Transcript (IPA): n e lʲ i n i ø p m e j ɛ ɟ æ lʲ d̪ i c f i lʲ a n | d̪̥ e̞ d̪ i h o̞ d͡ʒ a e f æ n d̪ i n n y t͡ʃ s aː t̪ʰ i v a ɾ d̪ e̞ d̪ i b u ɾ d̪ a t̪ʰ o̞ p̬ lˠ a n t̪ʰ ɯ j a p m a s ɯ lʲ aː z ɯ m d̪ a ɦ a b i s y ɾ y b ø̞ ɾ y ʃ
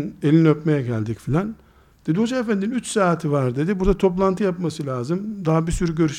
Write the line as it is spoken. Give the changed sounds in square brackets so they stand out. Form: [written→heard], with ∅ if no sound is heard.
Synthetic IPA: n e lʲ i n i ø p m e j ɛ ɟ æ lʲ d̪ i c f i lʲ a n | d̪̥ e̞ d̪ i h o̞ d͡ʒ a e f æ n d̪ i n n y t͡ʃ s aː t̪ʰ i v a ɾ d̪ e̞ d̪ i b u ɾ d̪ a t̪ʰ o̞ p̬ lˠ a n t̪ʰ ɯ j a p m a s ɯ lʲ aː z ɯ m d̪ a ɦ a b i s y ɾ y [b→ɟ] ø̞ ɾ y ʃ